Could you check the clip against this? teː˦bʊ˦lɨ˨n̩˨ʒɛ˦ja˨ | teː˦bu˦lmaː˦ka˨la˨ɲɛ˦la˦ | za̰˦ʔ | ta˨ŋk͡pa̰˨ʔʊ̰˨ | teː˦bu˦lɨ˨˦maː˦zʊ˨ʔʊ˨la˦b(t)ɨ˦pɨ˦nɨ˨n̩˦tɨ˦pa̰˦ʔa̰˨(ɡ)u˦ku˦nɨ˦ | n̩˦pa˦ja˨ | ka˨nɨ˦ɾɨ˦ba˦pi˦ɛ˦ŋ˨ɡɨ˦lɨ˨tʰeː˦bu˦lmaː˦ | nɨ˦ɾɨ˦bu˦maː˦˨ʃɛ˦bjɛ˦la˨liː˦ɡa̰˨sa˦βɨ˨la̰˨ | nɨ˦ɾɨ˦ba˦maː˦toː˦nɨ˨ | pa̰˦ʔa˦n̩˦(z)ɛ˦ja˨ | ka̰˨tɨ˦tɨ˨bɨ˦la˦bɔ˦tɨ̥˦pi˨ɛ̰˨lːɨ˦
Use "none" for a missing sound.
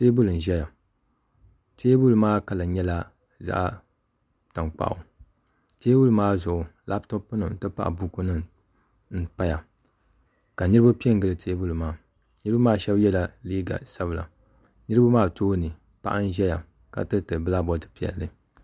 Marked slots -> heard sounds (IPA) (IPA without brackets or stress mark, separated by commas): t, b, ʒ